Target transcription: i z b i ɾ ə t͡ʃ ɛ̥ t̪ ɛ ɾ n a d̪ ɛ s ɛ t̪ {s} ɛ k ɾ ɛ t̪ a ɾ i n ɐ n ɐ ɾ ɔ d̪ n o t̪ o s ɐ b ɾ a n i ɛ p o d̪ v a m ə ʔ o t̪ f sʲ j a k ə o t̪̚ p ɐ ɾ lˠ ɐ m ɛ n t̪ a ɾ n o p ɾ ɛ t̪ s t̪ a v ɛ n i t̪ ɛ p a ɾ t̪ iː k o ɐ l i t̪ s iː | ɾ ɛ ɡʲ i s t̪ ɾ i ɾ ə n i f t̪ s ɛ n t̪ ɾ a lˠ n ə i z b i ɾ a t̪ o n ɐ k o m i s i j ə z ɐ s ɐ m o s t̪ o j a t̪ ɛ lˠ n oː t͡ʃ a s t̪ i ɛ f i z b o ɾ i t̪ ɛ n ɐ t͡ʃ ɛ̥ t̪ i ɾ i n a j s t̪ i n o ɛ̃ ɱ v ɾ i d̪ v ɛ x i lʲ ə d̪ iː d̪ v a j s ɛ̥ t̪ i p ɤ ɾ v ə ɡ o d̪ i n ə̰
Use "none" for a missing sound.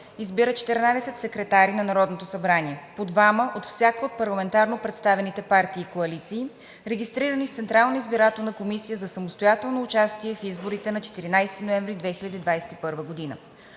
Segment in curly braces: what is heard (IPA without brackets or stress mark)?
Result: s